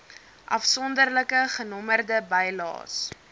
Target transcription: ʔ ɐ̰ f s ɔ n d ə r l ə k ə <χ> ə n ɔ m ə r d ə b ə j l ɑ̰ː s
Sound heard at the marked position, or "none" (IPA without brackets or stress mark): χ